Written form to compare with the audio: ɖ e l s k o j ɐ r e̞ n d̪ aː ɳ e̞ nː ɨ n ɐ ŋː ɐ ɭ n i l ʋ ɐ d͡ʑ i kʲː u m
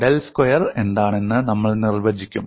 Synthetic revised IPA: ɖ e l s k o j ɐ r e̞ n d̪ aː ɳ e̞ nː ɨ n ɐ mː ɐ ɭ n i r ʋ ɐ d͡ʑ i kʲː u m